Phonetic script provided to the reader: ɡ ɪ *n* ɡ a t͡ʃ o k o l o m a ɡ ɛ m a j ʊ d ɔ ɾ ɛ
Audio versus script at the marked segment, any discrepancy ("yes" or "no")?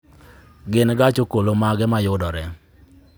no